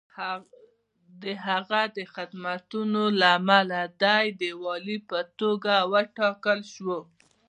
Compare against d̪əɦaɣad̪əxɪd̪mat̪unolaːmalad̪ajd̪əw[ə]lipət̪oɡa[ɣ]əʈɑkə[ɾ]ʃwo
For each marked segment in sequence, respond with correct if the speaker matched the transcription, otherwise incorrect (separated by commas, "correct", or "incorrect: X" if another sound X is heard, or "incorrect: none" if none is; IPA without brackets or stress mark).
incorrect: ɑ, incorrect: w, incorrect: l